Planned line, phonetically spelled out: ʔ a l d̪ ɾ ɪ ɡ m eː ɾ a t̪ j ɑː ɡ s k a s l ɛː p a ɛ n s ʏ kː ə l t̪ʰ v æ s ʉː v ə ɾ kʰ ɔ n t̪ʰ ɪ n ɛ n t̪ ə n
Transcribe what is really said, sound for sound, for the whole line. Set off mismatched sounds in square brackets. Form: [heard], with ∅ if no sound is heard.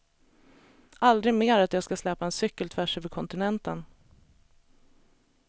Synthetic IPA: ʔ a l d̪ ɾ ɪ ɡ m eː ɾ a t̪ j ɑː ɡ s k a s l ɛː p a ɛ n s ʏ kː ə l t̪ʰ v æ [ʂ] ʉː v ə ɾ kʰ ɔ n [t̪] ɪ n ɛ n t̪ ə n